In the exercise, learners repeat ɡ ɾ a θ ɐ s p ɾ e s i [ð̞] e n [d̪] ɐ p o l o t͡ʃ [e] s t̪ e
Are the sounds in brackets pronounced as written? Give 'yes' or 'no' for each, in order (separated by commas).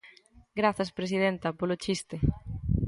yes, no, no